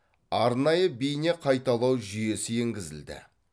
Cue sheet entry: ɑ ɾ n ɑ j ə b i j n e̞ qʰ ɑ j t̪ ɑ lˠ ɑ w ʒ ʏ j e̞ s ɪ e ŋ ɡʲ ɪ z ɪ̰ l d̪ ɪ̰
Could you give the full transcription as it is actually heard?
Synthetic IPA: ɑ ɾ n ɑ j ə b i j n e̞ qʰ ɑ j t̪ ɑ lˠ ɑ w ʒ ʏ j e̞ s ɪ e ŋ ɡʲ ɪ z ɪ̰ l d̪ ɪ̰